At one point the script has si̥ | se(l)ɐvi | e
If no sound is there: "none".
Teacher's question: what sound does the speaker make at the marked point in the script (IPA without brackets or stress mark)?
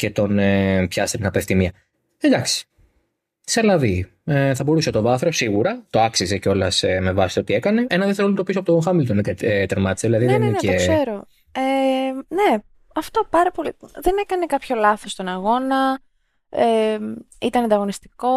l